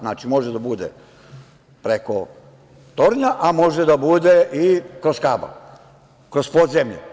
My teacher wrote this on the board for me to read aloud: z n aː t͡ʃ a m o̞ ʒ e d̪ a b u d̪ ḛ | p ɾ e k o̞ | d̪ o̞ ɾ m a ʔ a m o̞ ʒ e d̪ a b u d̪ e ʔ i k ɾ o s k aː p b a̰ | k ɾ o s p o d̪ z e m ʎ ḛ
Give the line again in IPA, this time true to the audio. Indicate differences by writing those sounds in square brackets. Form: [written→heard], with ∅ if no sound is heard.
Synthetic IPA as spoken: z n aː t͡ʃ [a→i] m o̞ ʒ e d̪ a b u d̪ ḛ | p ɾ e k o̞ | [d̪→t̪] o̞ ɾ [m→ɲ] a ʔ a m o̞ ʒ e d̪ a b u d̪ e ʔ i k ɾ o s k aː [p→∅] b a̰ | k ɾ o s p o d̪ z e m ʎ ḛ

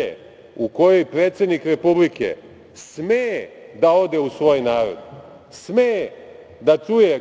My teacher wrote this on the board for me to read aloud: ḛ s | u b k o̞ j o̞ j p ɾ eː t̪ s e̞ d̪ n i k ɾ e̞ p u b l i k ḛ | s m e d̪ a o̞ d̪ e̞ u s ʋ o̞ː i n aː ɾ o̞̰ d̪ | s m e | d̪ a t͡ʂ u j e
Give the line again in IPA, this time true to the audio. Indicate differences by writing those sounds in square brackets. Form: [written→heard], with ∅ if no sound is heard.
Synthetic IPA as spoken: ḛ [s→∅] | u [b→∅] k o̞ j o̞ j p ɾ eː t̪ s e̞ d̪ n i k ɾ e̞ p u b l i k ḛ | s m e d̪ a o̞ d̪ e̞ u s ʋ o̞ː [i→j] n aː ɾ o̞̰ d̪ | s m e | d̪ a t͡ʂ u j e

